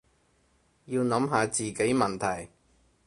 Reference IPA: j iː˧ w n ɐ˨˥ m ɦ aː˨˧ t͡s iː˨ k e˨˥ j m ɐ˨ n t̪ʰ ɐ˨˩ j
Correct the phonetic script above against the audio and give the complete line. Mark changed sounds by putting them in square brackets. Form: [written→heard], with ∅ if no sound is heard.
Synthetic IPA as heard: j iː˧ w n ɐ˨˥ m ɦ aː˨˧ t͡s iː˨ k e˨˥ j m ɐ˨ n t̪ʰ ɐ˨˩ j